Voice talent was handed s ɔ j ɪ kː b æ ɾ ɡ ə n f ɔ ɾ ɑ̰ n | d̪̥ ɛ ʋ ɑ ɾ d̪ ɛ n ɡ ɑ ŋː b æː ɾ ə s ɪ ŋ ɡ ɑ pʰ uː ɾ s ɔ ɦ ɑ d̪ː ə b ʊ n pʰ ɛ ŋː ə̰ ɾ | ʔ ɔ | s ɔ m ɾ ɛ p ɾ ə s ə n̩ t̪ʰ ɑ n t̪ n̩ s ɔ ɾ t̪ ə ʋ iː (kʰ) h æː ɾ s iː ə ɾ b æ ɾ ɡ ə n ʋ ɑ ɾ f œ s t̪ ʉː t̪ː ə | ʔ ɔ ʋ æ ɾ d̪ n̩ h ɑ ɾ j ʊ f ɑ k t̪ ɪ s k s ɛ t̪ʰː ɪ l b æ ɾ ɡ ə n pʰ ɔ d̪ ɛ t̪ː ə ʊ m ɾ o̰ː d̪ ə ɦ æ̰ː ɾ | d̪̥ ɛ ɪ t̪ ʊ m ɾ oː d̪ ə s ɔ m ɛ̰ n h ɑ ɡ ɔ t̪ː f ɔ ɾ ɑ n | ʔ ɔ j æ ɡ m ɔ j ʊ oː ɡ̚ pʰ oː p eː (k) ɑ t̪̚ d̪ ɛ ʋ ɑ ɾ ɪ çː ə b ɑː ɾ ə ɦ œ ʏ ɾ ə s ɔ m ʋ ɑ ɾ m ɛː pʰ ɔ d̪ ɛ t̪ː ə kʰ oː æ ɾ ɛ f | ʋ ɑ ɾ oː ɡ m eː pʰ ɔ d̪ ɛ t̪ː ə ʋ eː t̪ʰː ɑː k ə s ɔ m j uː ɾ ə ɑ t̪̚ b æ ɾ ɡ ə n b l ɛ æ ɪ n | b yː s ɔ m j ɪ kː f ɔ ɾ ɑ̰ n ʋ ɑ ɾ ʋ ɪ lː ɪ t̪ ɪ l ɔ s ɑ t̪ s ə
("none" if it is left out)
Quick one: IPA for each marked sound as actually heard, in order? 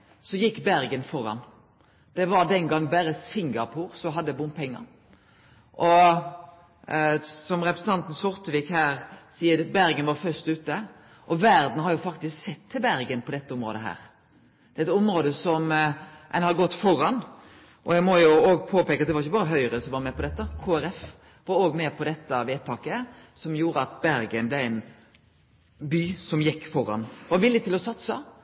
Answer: k, k

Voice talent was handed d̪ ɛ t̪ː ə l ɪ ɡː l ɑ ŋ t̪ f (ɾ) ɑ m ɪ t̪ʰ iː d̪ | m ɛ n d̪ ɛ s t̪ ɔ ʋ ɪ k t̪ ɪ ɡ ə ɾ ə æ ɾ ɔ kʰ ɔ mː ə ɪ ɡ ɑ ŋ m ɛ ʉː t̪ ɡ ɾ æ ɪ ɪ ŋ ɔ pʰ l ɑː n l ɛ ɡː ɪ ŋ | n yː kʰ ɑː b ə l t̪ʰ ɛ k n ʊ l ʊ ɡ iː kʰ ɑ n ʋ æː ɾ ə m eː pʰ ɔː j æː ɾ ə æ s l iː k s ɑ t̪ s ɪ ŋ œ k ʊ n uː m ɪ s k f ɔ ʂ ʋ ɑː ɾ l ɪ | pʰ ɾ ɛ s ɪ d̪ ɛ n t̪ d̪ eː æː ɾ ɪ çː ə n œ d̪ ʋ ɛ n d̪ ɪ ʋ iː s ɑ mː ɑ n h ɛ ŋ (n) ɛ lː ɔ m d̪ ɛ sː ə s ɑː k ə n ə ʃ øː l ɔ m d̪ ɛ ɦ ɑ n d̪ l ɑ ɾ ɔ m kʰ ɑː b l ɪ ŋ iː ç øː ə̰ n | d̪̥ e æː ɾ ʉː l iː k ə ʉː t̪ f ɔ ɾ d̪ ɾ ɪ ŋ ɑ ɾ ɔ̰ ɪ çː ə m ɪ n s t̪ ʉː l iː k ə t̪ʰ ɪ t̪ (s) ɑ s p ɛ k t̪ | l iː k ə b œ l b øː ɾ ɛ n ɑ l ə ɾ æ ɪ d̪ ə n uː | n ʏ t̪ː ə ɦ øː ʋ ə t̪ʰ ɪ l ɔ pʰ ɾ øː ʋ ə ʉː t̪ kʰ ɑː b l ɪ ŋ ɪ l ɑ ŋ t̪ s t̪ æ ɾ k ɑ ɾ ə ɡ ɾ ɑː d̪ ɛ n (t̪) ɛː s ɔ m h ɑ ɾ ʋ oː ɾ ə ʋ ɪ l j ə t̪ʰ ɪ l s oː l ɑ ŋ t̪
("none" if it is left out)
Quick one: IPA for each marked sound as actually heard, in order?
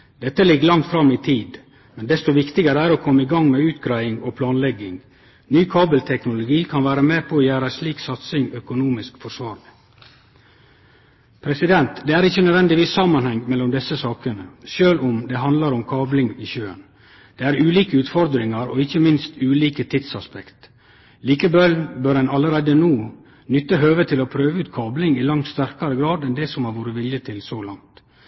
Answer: ɾ, m, s, d̪

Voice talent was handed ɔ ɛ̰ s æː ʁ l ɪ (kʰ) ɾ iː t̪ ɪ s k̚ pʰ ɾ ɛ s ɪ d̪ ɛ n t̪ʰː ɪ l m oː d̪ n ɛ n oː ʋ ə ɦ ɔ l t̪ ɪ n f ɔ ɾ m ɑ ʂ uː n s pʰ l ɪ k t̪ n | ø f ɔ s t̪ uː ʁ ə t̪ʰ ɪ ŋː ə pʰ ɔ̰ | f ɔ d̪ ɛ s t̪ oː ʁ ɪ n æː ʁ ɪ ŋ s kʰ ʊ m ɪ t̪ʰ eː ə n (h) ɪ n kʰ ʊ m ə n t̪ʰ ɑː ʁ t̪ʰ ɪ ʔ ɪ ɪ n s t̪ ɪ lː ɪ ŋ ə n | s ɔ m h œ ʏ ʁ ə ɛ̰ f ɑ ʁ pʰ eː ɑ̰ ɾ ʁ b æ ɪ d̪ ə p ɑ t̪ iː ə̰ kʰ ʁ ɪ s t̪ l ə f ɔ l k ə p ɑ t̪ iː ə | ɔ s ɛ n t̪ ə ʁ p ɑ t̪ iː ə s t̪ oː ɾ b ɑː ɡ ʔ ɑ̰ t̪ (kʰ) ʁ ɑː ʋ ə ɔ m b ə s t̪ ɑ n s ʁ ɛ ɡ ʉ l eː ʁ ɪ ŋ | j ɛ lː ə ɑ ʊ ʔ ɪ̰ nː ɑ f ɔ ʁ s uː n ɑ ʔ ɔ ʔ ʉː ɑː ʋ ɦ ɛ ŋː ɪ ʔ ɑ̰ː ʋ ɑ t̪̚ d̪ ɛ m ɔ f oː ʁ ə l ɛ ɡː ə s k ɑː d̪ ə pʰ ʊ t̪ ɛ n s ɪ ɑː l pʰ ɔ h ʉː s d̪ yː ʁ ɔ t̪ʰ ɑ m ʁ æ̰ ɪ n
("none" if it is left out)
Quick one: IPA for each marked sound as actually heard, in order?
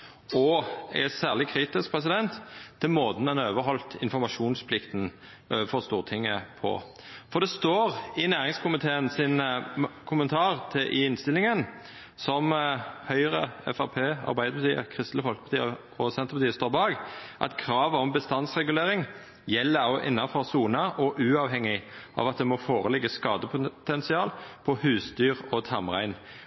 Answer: kʰ, s, kʰ

